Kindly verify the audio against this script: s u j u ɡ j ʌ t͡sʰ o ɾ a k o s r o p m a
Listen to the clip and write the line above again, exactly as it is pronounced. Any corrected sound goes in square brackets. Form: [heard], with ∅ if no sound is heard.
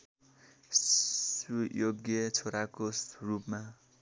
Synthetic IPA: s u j [o] ɡ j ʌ t͡sʰ o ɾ a k o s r [u] p m a